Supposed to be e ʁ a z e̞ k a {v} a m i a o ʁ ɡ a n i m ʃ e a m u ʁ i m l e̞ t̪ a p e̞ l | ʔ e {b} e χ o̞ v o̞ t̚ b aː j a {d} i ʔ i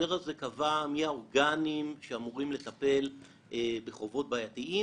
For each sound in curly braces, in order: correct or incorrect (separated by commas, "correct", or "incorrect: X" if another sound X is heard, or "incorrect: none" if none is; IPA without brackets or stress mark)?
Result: correct, correct, incorrect: t